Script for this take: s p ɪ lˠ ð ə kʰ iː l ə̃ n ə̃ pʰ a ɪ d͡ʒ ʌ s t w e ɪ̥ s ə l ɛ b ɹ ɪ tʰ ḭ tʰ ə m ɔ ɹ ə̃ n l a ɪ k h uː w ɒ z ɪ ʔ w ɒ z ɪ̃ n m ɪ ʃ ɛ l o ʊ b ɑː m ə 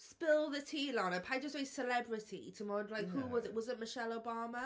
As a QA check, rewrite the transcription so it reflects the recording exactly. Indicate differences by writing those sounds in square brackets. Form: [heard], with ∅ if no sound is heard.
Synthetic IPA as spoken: s p ɪ lˠ ð ə [tʰ] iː l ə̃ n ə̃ pʰ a ɪ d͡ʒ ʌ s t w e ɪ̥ s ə l ɛ b ɹ ɪ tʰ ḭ tʰ ə m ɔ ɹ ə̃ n l a ɪ k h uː w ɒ z ɪ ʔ w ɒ z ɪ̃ n m ɪ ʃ ɛ l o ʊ b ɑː m ə